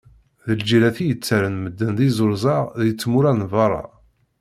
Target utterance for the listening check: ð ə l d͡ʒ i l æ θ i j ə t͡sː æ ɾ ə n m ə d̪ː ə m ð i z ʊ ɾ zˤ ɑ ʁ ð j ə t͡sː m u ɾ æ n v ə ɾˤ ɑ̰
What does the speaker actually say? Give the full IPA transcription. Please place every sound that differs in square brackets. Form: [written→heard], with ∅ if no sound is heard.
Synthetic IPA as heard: ð ə l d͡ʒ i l æ θ i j ə t͡sː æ ɾ ə n m ə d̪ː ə [m→n] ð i z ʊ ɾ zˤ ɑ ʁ ð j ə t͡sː m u ɾ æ n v [ə→ɑ] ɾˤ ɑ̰